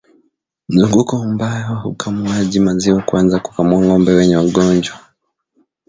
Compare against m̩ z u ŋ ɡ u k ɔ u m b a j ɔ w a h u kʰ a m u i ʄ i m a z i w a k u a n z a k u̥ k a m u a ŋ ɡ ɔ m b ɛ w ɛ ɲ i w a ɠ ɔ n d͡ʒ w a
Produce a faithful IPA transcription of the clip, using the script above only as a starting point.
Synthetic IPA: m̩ z u ŋ ɡ u k ɔ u m b a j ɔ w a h u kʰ a m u a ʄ i m a z i w a k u a n z a k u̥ k a m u a ŋ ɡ ɔ m b ɛ w ɛ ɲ ɛ w a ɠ ɔ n d͡ʒ w a